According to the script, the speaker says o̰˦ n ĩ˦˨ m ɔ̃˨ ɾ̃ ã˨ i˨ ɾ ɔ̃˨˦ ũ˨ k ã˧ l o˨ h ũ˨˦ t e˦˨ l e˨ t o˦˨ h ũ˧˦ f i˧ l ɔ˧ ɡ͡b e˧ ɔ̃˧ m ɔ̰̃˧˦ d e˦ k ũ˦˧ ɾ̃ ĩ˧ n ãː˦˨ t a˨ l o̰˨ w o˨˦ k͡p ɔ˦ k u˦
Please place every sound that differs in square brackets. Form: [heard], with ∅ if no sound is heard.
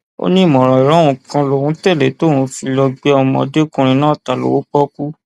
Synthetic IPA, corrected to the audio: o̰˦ n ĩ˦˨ m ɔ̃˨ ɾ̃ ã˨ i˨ ɾ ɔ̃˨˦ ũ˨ k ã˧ l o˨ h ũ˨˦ t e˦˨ l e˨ t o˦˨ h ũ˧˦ f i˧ l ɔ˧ ɡ͡b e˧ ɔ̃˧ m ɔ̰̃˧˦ d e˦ k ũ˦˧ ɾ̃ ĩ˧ n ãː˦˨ t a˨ l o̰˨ w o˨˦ k͡p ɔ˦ k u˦